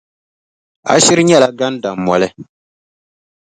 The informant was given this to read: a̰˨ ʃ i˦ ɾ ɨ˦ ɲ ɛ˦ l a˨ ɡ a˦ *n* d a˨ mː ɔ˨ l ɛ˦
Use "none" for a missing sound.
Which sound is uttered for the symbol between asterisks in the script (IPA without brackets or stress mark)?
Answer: n